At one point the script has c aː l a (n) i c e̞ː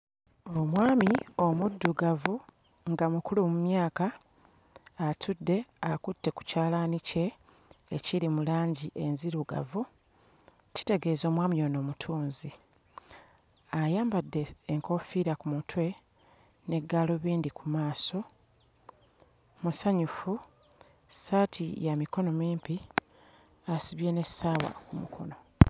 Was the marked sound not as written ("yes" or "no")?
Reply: no